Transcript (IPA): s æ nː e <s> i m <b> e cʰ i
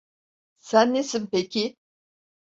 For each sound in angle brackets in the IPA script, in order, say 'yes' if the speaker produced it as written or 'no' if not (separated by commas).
yes, no